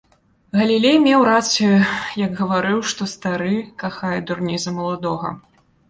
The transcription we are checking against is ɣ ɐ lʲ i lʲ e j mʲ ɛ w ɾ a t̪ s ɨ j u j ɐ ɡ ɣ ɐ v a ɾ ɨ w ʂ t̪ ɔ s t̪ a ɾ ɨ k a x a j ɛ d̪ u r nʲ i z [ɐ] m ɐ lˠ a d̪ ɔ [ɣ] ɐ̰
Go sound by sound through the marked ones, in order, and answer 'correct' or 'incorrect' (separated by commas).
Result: correct, correct